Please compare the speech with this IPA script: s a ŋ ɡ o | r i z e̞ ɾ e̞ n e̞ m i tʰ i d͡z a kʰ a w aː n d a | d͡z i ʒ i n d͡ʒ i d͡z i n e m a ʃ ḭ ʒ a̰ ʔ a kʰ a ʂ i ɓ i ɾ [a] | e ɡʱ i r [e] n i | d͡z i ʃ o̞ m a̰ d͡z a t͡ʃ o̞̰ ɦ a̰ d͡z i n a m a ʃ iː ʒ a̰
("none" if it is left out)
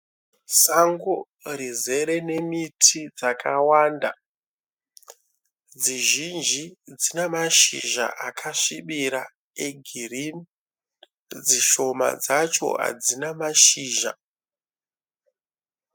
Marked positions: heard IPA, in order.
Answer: a, i

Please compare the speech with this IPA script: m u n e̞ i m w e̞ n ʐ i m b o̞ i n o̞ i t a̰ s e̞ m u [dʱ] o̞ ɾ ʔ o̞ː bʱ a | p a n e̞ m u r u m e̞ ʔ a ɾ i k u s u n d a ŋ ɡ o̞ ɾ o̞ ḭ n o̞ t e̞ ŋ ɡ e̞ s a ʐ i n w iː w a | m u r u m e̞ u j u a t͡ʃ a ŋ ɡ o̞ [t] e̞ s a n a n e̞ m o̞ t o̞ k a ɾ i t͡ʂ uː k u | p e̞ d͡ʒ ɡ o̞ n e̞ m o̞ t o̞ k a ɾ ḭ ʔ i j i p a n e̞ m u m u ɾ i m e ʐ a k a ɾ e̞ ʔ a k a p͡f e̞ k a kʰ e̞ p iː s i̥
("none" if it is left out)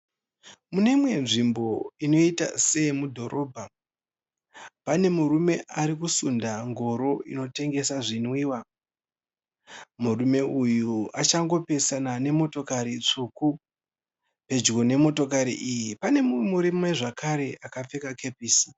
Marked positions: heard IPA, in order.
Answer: dʱ, p

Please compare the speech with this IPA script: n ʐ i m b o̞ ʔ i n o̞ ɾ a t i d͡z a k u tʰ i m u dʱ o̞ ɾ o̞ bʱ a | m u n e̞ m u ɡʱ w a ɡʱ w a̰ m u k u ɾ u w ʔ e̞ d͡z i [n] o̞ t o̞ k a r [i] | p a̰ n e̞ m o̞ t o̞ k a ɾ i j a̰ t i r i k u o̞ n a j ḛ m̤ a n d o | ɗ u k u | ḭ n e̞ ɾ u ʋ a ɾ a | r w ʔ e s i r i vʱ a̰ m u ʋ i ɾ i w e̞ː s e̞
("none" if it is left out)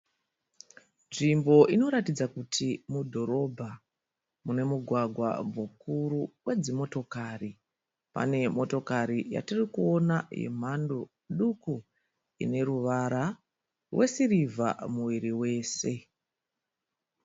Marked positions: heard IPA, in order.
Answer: m, i

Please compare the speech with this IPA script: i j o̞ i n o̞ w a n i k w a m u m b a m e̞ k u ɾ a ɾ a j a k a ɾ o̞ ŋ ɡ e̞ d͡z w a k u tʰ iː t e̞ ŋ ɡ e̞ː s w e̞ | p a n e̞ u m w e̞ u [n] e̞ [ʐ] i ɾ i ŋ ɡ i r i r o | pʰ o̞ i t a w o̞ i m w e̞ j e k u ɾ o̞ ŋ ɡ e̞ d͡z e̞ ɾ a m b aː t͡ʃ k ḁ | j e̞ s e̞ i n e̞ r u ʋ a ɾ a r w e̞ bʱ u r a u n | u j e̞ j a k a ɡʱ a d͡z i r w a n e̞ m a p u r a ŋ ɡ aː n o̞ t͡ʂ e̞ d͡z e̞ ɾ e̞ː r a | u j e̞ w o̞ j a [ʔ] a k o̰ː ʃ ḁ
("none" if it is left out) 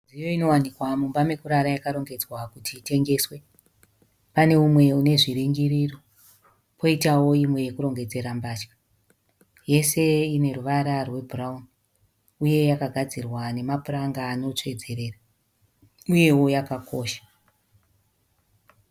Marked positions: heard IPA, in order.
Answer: n, ʐ, k

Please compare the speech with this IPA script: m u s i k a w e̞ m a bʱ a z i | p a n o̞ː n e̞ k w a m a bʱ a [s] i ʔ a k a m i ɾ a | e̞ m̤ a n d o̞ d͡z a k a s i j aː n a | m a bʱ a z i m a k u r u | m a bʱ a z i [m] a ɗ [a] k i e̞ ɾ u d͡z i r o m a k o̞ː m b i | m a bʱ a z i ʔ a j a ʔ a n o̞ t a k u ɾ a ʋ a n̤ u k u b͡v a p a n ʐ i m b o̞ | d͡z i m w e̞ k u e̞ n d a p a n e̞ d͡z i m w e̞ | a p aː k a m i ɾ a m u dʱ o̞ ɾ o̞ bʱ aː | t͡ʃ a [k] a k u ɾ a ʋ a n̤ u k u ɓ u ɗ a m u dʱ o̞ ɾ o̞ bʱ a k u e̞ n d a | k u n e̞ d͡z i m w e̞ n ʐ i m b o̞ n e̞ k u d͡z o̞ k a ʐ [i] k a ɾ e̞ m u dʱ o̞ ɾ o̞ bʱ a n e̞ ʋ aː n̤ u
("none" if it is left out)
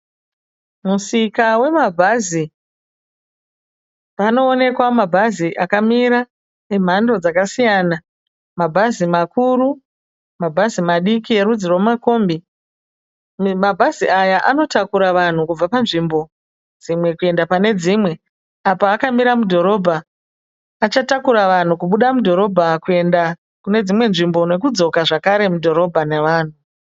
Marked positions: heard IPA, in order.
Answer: z, m, i, t, a

